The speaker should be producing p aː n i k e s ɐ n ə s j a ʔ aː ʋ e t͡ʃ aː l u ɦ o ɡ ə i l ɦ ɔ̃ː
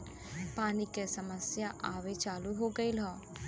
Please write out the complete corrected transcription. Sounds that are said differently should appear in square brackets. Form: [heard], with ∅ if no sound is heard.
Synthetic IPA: p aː n i k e s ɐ [m] ə s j a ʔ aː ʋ e t͡ʃ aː l u ɦ o ɡ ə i l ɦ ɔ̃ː